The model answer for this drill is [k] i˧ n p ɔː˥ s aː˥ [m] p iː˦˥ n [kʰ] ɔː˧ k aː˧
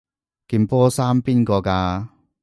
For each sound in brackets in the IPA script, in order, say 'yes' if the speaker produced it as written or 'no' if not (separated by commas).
yes, yes, no